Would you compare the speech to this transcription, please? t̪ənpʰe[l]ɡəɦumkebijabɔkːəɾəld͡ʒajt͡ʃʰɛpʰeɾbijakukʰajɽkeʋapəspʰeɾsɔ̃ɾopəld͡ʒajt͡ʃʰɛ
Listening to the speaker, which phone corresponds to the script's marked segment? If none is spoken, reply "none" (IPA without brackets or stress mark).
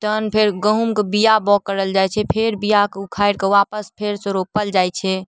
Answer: ɾ